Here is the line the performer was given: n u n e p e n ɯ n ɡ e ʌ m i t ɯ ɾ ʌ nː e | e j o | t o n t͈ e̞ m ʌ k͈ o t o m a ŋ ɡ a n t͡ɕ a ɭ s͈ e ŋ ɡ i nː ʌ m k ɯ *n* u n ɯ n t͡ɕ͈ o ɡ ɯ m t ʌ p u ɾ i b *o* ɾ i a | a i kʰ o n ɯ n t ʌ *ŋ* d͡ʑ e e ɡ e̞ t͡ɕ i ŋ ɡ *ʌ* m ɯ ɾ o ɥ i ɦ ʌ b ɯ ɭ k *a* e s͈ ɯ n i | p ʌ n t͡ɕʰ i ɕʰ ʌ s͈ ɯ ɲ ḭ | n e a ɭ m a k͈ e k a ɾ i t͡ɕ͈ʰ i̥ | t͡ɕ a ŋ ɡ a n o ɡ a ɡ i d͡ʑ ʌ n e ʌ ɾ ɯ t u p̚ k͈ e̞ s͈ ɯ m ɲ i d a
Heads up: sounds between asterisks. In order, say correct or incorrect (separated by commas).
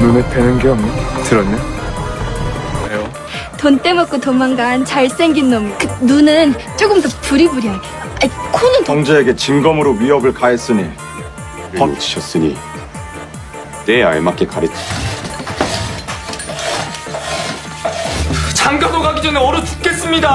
correct, incorrect, correct, correct, correct